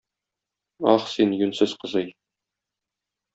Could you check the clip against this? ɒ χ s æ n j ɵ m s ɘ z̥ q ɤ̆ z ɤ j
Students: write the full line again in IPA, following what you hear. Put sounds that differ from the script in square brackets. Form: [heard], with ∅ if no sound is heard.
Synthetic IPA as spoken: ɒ χ s [i] n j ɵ [n] s ɘ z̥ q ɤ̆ z ɤ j